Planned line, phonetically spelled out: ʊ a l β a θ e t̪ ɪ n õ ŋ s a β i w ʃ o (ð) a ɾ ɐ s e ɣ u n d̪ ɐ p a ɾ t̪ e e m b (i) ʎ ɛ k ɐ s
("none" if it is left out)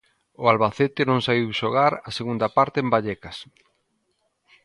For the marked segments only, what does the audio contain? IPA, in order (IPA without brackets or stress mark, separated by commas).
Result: ɣ, a